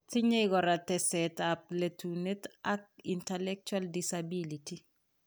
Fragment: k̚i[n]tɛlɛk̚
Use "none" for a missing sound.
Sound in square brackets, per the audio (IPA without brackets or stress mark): n